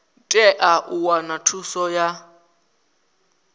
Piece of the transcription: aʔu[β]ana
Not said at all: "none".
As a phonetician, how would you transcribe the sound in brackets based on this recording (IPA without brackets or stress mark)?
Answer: w